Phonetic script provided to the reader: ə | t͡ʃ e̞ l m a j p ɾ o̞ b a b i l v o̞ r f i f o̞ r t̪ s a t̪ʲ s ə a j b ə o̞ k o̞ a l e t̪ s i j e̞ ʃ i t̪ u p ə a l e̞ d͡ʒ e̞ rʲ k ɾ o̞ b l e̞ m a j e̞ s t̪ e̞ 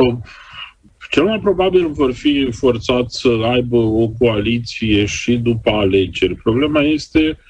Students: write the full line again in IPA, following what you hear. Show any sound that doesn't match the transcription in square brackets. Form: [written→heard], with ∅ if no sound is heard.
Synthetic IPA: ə | t͡ʃ e̞ l m a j p ɾ o̞ b a b i l v o̞ r f i f o̞ r t̪ s a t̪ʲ s ə a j b ə o̞ k o̞ a l [e→i] t̪ s i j e̞ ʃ i [t̪→d̪] u p ə a l e̞ d͡ʒ e̞ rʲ [k→p] ɾ o̞ b l e̞ m a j e̞ s t̪ e̞